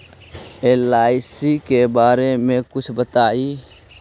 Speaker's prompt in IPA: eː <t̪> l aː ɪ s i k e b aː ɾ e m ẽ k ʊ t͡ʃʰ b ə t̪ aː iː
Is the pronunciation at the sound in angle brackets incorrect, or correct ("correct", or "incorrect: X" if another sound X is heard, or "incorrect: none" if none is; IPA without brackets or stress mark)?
incorrect: none